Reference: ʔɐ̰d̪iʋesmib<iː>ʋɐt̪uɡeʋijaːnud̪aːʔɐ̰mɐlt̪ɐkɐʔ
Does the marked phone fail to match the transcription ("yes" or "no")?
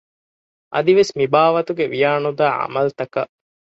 yes